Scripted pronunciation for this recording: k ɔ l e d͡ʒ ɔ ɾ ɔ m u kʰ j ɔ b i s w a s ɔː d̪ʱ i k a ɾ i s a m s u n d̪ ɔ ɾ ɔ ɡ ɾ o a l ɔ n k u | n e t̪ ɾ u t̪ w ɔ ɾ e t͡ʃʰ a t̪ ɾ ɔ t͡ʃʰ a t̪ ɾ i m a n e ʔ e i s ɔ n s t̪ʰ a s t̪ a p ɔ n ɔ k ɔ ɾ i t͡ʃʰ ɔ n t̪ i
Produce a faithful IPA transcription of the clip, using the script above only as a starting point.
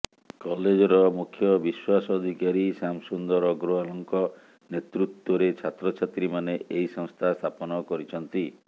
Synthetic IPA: k ɔ l e d͡ʒ ɔ ɾ ɔ m u kʰ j ɔ b i s w a s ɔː d̪ʱ i k a ɾ i s a m s u n d̪ ɔ ɾ ɔ ɡ ɾ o a l ɔ ŋ k ɔ | n e t̪ ɾ u t̪ w ɔ ɾ e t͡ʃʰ a t̪ ɾ ɔ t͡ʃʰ a t̪ ɾ i m a n e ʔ e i s ɔ ŋ s t̪ʰ a s t̪ʰ a p ɔ n ɔ k ɔ ɾ i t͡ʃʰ ɔ n t̪ i